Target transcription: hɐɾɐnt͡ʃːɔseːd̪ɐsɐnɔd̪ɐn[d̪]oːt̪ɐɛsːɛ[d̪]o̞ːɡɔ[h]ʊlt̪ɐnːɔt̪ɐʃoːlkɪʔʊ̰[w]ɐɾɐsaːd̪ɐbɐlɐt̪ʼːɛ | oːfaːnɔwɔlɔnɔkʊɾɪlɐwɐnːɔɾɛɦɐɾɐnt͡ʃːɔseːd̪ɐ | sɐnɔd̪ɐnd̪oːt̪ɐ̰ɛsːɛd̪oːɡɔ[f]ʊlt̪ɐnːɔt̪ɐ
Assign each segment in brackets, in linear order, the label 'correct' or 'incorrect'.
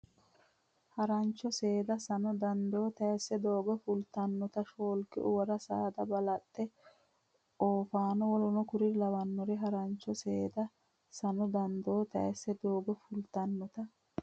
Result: correct, correct, incorrect: f, correct, correct

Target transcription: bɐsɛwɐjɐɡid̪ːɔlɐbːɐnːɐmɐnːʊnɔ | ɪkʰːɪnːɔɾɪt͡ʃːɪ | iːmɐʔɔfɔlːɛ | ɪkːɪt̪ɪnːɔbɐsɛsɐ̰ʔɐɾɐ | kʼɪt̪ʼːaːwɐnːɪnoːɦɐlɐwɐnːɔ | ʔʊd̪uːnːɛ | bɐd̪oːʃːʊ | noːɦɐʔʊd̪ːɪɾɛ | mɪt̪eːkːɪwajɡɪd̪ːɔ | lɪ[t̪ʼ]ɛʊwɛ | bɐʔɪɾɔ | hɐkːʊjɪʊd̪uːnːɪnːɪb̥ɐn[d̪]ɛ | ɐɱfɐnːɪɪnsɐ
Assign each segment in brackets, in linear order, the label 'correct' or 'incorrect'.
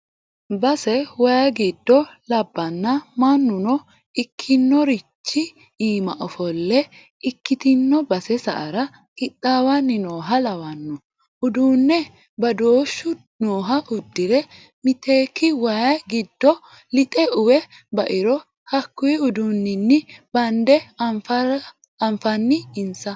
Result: correct, correct

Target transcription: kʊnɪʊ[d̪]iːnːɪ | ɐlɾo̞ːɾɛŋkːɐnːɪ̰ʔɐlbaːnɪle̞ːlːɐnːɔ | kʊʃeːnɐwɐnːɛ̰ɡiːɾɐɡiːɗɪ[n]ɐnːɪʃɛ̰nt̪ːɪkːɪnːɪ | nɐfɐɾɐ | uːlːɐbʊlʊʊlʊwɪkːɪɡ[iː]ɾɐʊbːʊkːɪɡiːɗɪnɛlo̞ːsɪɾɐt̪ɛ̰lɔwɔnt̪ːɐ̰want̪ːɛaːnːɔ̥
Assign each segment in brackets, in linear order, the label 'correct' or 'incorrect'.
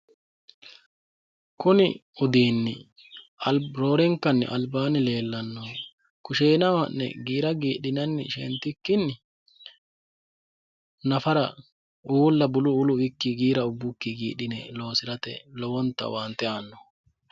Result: correct, correct, correct

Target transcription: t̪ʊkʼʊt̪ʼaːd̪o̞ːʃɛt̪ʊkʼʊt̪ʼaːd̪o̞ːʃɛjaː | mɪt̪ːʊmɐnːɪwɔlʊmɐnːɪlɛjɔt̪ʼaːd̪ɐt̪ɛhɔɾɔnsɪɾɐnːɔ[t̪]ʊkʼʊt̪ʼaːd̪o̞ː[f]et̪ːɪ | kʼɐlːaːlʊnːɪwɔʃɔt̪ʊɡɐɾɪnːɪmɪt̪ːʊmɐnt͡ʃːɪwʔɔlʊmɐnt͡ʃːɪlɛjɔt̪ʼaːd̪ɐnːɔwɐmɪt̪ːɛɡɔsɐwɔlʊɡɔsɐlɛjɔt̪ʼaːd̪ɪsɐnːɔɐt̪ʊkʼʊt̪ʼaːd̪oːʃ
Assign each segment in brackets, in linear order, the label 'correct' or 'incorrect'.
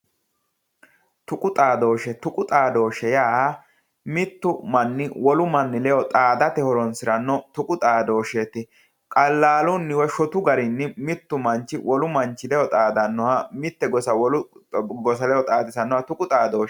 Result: correct, incorrect: ʃ

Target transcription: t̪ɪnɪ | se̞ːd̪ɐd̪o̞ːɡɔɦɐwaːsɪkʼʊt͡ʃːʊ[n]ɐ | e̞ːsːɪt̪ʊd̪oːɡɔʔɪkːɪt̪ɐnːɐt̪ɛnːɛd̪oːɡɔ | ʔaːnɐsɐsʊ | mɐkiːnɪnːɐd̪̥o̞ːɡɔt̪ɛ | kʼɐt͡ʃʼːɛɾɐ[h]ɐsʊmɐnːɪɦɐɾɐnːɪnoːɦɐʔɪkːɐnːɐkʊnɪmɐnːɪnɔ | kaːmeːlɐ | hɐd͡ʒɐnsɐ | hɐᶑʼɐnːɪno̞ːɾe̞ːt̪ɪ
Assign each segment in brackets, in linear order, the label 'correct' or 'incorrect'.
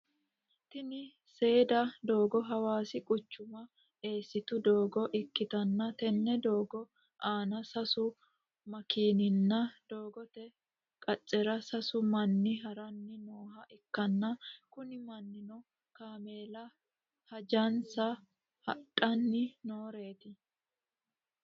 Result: incorrect: m, incorrect: s

